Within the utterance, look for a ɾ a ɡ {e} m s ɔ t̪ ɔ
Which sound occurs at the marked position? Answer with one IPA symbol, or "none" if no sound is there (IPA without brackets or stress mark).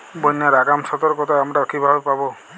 a